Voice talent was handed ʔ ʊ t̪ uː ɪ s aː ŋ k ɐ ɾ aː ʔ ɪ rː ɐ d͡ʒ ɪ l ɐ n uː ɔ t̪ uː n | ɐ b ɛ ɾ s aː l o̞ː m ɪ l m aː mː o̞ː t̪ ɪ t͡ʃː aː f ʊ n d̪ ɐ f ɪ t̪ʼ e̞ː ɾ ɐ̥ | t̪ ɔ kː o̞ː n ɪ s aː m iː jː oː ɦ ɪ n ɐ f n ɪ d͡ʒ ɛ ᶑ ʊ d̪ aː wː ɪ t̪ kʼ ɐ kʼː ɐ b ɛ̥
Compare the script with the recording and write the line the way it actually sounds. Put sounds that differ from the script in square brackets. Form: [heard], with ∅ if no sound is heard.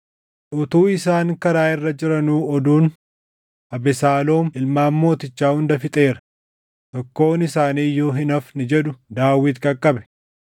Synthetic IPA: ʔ ʊ t̪ uː ɪ s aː ŋ k ɐ ɾ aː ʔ ɪ rː ɐ d͡ʒ ɪ [ɾ] ɐ n uː ɔ [d̪] uː n | ɐ b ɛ [∅] s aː l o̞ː m ɪ l m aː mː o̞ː t̪ ɪ t͡ʃː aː [h] ʊ n d̪ ɐ f ɪ t̪ʼ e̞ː ɾ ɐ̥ | t̪ ɔ kː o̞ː n ɪ s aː [n] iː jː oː ɦ ɪ n ɐ f n ɪ d͡ʒ ɛ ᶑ ʊ d̪ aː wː ɪ t̪ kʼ ɐ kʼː ɐ b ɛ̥